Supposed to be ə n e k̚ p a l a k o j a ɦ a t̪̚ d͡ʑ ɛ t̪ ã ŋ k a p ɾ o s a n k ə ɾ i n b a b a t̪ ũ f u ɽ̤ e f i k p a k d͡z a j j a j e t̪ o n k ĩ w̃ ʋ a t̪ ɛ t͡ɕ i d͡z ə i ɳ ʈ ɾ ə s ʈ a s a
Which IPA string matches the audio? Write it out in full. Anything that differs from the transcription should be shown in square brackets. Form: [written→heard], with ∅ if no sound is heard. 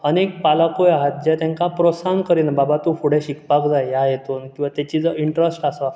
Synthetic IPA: ə n e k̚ p a l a k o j a ɦ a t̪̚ d͡ʑ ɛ t̪ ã ŋ k a p ɾ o s a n k ə ɾ i n b a b a t̪ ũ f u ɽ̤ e [f→ɕ] i k p a k d͡z a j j a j e t̪ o n k ĩ w̃ ʋ a t̪ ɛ t͡ɕ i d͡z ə i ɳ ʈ ɾ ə s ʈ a s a